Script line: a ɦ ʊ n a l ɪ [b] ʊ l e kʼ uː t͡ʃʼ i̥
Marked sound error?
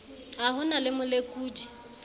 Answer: yes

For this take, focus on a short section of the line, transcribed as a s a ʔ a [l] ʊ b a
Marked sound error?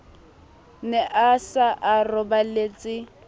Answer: yes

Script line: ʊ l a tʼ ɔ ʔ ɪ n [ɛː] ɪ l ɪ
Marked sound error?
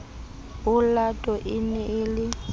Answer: yes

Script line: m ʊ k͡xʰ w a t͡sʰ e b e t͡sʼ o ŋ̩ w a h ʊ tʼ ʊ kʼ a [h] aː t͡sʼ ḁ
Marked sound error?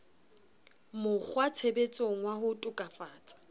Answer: yes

